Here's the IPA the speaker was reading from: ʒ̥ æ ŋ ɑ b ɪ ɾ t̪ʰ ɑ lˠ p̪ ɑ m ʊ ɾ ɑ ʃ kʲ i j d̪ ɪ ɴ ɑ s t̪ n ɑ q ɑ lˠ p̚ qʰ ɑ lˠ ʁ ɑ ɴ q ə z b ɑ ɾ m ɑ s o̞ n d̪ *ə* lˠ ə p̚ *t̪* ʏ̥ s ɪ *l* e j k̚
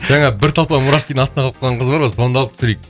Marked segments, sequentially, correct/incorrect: incorrect: ɑ, correct, incorrect: ɾ

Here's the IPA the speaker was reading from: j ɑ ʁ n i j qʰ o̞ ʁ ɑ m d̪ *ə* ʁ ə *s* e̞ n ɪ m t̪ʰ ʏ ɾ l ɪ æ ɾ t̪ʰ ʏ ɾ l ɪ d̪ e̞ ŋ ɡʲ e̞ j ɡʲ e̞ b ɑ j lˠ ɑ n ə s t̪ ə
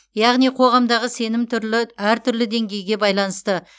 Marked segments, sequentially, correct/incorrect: incorrect: ɑ, correct

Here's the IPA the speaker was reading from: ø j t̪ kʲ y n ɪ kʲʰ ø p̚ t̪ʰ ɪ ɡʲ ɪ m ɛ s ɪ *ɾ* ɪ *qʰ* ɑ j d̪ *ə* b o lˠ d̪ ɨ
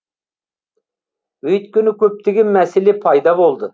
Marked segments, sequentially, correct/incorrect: incorrect: l, incorrect: pʰ, incorrect: ɑ

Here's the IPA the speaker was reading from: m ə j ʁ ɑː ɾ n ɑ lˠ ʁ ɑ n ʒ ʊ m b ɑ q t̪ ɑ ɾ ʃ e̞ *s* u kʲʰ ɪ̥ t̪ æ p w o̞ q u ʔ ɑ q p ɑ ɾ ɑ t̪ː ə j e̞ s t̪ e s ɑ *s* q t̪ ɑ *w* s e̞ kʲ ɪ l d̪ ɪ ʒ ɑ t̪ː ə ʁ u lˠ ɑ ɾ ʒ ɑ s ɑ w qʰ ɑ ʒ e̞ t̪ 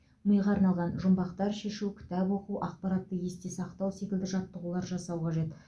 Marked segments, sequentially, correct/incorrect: incorrect: ʃ, incorrect: none, correct

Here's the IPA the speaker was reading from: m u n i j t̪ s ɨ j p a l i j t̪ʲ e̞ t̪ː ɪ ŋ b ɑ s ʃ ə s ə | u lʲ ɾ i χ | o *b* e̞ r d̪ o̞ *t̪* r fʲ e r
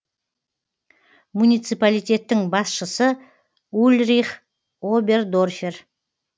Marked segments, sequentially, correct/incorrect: correct, incorrect: none

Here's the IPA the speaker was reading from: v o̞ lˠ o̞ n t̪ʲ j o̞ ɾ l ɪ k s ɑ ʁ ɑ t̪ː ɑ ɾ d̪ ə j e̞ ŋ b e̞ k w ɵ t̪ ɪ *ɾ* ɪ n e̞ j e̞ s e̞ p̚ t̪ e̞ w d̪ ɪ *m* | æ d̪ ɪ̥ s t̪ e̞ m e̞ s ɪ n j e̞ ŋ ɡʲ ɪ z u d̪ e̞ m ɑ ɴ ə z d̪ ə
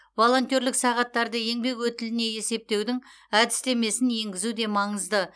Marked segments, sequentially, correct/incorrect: incorrect: l, incorrect: ŋ

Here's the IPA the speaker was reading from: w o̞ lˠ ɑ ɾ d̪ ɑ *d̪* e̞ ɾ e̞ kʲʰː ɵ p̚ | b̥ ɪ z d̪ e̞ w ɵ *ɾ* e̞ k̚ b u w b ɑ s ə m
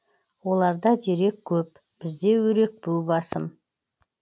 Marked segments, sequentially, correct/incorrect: correct, correct

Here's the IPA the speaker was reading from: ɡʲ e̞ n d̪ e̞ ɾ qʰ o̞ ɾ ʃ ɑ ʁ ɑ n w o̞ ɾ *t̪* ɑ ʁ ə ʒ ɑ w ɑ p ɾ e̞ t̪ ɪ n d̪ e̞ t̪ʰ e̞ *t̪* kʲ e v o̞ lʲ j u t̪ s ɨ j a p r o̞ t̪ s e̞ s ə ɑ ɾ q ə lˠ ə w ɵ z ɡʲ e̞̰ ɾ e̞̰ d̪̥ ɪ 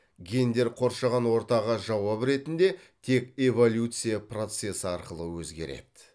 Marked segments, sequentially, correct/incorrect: correct, incorrect: none

